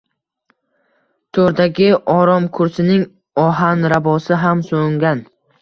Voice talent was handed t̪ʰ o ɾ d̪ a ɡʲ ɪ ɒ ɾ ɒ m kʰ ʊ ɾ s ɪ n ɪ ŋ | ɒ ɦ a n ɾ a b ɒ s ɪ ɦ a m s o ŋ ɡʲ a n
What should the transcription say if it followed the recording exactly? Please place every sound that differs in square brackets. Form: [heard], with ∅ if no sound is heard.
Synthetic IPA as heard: t̪ʰ o ɾ d̪ a ɡʲ ɪ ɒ ɾ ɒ m kʰ ʊ ɾ s ɪ n ɪ ŋ | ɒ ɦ a n ɾ a b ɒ s ɪ ɦ a m s o ŋ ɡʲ a n